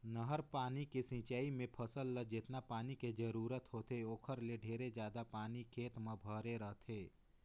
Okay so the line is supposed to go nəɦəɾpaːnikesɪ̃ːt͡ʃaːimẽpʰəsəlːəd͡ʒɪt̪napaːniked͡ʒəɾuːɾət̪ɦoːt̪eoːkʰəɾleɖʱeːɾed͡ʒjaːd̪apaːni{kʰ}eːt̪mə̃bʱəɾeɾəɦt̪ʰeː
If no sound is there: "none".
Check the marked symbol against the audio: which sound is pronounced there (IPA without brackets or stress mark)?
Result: kʰ